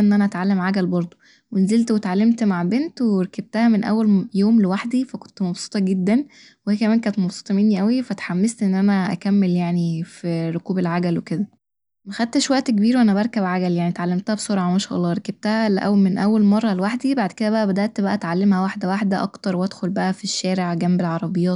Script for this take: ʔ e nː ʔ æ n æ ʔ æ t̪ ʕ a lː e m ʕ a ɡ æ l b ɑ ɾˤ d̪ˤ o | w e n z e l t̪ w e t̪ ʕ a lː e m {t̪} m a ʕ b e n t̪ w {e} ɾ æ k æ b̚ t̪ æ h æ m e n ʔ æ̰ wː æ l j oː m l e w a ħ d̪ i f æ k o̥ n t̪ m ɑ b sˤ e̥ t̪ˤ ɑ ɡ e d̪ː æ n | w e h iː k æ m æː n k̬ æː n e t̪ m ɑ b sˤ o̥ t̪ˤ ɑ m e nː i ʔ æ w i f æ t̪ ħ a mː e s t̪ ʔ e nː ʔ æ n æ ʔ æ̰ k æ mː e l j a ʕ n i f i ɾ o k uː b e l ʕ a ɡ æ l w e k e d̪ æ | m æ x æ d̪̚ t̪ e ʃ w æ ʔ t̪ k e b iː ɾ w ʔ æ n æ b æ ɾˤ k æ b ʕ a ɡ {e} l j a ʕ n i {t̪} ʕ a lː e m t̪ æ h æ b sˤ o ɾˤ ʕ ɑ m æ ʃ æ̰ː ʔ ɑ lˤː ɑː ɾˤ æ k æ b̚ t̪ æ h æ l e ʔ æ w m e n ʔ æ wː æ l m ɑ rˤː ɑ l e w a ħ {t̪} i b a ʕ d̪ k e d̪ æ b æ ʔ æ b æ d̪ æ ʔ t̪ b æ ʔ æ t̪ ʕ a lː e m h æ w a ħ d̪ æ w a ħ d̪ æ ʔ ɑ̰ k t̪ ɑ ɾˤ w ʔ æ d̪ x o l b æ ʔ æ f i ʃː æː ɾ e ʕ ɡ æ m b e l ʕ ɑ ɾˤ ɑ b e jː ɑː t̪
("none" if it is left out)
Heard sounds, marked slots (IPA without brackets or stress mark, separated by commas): t̪, e, æ, t̪, d̪